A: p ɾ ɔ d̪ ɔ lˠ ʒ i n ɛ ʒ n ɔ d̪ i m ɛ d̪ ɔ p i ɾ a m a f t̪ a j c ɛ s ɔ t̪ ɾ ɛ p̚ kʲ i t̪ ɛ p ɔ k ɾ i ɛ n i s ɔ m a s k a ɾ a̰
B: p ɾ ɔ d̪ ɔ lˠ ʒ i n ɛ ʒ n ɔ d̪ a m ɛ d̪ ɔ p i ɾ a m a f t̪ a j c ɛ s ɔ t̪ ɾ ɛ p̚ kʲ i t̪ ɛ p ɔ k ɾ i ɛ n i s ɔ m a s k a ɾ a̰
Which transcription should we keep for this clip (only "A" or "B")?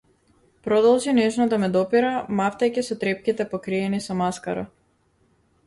B